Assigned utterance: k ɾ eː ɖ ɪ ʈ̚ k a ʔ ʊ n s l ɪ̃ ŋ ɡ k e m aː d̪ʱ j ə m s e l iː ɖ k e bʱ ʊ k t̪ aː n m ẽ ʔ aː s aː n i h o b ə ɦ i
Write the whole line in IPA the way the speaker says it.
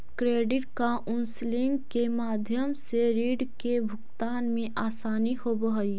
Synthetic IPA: k ɾ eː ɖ ɪ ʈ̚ k a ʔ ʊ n s l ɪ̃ ŋ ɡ k e m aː d̪ʱ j ə m s e ɾ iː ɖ k e bʱ ʊ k t̪ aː n m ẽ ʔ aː s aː n i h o b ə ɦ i